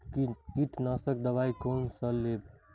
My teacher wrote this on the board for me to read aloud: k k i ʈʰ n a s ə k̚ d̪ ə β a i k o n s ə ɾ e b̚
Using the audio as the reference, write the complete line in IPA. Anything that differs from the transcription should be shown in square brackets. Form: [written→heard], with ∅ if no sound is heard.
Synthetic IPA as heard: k k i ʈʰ n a s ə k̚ d̪ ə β a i k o n s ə [ɾ→l] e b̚